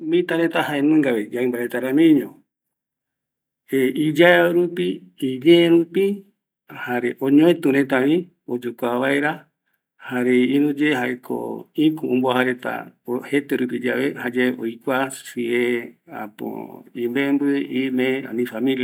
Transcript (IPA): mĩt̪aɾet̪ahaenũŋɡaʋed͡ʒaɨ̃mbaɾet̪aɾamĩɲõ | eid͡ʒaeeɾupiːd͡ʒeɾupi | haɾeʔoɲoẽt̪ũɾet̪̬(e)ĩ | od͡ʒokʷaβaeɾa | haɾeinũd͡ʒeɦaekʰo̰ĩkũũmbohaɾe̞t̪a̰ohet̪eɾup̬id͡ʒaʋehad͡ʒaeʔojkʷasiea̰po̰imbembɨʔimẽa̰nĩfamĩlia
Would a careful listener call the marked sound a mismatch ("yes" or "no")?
yes